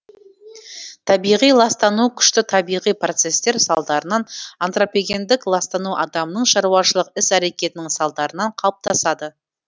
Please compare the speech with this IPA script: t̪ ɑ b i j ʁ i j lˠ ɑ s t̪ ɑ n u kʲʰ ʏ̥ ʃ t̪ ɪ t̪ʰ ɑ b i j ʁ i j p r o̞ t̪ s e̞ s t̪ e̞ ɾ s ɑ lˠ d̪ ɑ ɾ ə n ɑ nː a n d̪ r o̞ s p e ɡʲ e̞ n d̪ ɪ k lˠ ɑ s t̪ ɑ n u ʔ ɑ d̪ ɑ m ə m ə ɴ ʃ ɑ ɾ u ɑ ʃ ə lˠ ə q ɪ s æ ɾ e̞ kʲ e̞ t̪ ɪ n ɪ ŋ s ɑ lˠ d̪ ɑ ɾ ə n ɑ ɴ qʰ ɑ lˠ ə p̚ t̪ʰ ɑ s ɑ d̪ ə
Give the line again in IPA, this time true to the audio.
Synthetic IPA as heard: t̪ʰ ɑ b i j ʁ i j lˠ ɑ s t̪ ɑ n u kʲʰ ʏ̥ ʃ t̪ ɪ t̪ʰ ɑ b i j ʁ i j p r o̞ t̪ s e̞ s t̪ e̞ ɾ s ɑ lˠ d̪ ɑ ɾ ə n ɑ n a n t̪ r o̞ p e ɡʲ e̞ n d̪ ɪ k lˠ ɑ s t̪ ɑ n u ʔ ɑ d̪ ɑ m ə n ə ɴ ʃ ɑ ɾ u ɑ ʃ ə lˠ ə q ɪ s æ ɾ e̞ kʲ e̞ t̪ ɪ n ɪ ŋ s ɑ lˠ d̪ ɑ ɾ ə n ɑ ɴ qʰ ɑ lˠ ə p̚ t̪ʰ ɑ s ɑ d̪ ə